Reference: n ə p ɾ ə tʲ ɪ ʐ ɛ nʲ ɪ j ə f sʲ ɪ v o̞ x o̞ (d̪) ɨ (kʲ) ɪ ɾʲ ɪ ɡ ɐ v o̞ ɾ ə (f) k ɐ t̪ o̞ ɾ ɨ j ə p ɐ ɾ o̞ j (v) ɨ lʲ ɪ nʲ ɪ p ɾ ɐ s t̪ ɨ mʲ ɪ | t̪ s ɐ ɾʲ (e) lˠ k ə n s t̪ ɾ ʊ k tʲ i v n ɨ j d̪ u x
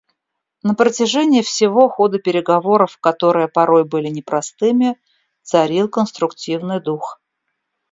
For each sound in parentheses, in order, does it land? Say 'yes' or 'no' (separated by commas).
yes, no, yes, no, no